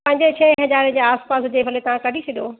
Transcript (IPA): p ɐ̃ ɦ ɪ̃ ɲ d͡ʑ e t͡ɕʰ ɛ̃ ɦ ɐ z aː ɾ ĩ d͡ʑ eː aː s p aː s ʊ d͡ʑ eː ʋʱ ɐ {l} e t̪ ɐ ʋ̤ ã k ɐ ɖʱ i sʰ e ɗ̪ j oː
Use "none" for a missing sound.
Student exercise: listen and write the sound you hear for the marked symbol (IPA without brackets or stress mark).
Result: l